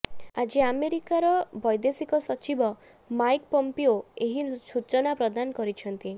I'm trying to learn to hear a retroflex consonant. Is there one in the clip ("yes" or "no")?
no